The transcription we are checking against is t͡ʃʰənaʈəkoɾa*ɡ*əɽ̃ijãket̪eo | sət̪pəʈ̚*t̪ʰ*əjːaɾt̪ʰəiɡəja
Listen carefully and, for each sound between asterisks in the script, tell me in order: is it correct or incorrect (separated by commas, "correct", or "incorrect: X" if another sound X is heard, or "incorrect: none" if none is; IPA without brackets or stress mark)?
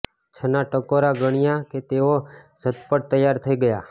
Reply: correct, incorrect: t̪